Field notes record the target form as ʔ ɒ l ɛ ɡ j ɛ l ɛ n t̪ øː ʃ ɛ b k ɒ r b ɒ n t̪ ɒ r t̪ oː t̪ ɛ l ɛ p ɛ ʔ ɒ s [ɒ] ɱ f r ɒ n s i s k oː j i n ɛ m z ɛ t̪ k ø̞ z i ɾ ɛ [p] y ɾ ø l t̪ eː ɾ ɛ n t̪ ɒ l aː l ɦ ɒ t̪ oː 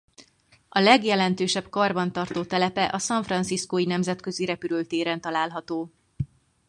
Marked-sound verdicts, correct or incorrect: correct, correct

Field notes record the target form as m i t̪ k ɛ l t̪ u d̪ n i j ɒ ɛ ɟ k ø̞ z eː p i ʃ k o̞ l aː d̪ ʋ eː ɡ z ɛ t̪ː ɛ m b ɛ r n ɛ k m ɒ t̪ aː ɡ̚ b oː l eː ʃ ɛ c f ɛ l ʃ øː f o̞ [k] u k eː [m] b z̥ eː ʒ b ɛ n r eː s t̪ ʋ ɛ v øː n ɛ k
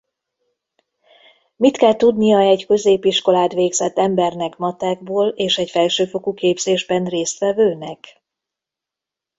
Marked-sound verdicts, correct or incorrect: correct, incorrect: none

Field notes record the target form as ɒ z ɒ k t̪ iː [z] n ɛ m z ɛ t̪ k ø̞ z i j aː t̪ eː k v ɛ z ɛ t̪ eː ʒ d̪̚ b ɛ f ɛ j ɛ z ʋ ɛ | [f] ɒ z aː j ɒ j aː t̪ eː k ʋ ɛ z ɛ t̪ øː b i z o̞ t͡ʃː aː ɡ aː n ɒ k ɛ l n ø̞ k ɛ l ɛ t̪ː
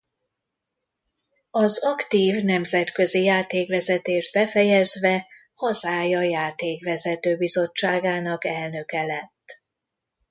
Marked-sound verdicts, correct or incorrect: incorrect: v, incorrect: h

